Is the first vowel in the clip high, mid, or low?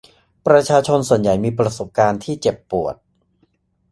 low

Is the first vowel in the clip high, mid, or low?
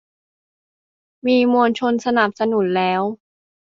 high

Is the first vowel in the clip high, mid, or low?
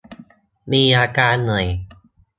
high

